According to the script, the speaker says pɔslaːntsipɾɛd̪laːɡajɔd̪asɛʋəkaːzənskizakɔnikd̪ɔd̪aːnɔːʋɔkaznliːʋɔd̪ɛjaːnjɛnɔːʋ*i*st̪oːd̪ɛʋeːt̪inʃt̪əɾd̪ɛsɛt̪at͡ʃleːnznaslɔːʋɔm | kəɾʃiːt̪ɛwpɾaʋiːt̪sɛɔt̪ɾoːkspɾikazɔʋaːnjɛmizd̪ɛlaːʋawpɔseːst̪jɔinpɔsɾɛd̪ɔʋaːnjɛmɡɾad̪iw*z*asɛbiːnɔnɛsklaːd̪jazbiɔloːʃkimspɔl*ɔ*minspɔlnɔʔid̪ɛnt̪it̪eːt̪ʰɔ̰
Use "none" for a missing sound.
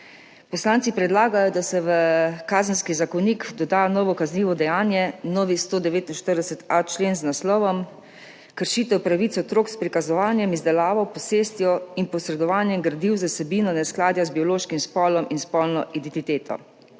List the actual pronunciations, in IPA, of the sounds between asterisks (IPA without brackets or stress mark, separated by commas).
i, z, ɔ